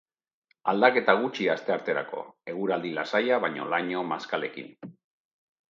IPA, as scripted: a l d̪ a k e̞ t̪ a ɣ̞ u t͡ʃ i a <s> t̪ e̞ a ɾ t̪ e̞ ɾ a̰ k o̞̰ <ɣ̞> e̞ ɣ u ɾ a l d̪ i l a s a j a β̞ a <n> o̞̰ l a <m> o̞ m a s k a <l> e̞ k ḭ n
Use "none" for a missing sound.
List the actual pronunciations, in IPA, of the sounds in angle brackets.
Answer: s, none, ɲ, ɲ, l

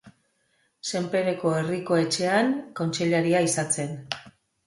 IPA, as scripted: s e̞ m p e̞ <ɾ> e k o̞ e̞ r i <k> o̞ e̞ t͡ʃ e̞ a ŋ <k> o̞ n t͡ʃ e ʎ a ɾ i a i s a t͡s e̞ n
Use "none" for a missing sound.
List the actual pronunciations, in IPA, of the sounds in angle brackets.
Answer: ɾ, k, k

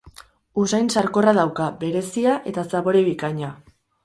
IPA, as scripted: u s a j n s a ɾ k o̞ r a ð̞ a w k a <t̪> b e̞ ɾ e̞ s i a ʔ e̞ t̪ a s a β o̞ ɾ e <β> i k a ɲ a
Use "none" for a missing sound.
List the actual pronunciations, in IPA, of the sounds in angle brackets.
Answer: none, β

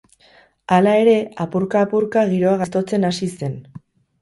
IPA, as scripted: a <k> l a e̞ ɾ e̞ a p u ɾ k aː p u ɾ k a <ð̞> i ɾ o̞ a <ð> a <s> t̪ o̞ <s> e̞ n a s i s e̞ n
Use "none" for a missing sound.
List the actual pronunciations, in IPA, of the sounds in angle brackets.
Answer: none, ɣ̞, ɣ, s, t͡s

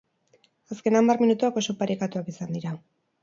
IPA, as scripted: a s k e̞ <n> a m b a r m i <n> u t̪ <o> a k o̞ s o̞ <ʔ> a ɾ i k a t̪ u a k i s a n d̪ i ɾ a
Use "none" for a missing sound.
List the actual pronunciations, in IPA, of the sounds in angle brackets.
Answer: n, n, u, p

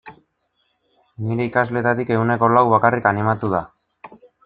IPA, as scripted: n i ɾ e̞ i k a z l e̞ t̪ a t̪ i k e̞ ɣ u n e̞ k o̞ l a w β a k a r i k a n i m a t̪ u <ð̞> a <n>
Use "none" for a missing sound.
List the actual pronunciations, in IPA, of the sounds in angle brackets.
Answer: ð̞, none

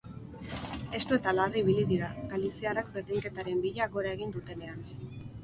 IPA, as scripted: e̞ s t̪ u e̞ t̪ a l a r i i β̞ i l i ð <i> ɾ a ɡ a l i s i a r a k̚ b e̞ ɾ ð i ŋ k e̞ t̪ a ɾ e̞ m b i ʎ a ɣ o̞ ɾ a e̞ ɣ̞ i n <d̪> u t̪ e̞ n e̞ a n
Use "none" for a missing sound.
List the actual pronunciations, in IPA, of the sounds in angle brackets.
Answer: i, d̪

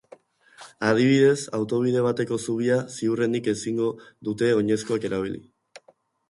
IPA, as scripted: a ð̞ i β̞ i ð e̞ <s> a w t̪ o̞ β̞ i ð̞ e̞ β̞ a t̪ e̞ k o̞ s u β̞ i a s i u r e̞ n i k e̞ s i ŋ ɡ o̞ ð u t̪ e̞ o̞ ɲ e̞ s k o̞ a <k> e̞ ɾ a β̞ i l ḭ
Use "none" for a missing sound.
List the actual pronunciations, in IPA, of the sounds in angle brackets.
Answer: s, k

